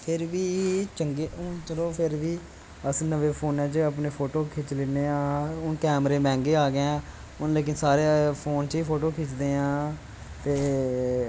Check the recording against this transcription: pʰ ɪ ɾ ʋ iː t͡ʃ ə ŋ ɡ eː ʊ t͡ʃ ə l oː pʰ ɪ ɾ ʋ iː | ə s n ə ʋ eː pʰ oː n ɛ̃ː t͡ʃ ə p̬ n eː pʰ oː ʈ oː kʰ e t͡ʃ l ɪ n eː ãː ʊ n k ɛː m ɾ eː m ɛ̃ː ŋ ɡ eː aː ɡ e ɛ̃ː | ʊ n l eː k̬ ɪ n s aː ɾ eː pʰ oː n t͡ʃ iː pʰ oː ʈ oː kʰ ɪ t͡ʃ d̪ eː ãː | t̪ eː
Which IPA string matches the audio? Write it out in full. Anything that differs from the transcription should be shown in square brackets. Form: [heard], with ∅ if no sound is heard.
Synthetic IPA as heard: pʰ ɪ ɾ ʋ iː t͡ʃ ə ŋ ɡ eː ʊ t͡ʃ ə l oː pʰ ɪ ɾ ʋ iː | ə s n ə ʋ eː pʰ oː n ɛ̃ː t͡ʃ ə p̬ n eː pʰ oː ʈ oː kʰ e t͡ʃ l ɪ n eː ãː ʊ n k ɛː m ɾ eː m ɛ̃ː ŋ ɡ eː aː ɡ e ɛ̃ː | ʊ n l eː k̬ ɪ n s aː ɾ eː pʰ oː n t͡ʃ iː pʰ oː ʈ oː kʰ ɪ t͡ʃ d̪ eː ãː | t̪ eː

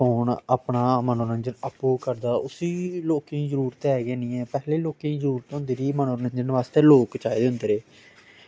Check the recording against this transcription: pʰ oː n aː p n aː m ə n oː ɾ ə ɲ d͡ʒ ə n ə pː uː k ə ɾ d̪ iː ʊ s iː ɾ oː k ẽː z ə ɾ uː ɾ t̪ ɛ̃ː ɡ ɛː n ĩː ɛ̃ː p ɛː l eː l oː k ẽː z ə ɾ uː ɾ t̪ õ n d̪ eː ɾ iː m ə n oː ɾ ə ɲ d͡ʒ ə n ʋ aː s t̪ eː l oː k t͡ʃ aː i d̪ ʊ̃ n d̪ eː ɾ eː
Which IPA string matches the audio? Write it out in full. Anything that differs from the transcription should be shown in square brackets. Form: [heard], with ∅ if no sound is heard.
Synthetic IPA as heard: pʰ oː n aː p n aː m ə n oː ɾ ə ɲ d͡ʒ ə n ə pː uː k ə ɾ d̪ [aː] ʊ s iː [l] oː k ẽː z ə ɾ uː ɾ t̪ [ɛː] ɡ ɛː n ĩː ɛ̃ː p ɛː l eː l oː k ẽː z ə ɾ uː ɾ t̪ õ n d̪ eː ɾ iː m ə n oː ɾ ə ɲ d͡ʒ ə n ʋ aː s t̪ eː l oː k t͡ʃ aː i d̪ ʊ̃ n d̪ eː ɾ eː

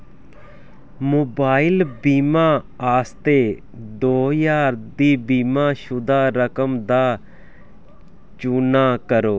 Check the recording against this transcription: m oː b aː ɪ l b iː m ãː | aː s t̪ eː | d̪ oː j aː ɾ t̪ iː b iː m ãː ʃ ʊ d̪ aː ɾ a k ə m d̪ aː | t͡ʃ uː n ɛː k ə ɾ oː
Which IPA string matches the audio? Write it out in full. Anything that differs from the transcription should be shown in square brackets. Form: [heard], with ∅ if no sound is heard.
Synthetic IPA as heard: m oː b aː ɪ l b iː m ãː | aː s t̪ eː | d̪ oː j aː ɾ [d̪] iː b iː m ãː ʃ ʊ d̪ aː ɾ [ə] k ə m d̪ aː | t͡ʃ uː n [aː] k ə ɾ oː

